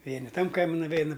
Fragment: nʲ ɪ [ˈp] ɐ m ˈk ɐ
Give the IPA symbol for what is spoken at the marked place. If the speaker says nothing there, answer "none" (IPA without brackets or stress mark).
t